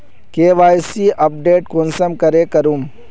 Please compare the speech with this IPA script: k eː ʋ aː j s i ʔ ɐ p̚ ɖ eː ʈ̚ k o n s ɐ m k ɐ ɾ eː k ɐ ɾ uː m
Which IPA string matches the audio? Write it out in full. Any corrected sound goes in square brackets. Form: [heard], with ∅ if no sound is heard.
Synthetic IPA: k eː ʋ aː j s i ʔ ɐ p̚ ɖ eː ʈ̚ k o n s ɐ m k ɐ ɾ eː k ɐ ɾ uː m

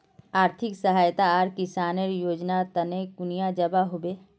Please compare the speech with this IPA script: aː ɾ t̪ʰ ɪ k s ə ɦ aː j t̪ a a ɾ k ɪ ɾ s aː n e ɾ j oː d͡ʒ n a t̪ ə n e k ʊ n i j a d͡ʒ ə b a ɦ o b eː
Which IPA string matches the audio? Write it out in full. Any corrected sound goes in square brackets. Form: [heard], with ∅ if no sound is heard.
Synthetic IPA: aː ɾ t̪ʰ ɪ k s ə ɦ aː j t̪ a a ɾ k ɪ [∅] s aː n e ɾ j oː d͡ʒ n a t̪ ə n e k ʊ n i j a d͡ʒ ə b a ɦ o b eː

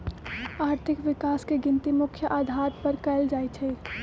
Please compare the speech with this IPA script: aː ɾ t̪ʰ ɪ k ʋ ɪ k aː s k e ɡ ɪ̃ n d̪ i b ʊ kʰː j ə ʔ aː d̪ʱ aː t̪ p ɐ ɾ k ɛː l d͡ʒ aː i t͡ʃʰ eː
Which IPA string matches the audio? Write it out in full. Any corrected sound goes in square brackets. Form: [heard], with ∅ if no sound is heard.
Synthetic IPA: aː ɾ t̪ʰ ɪ k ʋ ɪ k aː s k e ɡ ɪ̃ n [t̪] i [m] ʊ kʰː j ə ʔ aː d̪ʱ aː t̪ p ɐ ɾ k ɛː l d͡ʒ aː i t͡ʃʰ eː

